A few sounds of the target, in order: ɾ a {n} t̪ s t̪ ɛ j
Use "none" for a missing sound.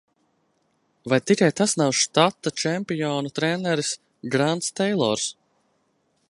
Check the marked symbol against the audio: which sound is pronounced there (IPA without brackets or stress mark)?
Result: n